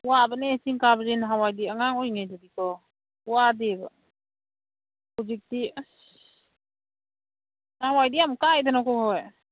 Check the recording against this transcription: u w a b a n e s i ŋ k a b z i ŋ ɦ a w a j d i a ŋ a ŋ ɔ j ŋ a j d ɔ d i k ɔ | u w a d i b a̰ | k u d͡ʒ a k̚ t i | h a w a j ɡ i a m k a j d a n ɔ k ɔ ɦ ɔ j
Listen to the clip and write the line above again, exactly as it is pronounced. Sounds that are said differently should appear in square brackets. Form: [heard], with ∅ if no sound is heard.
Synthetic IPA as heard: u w a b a n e s i ŋ k a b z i [n] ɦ a w a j d i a ŋ a ŋ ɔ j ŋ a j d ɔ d i k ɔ | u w a d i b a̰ | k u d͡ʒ [i] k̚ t i | h a w a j [d] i a m k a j d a n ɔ k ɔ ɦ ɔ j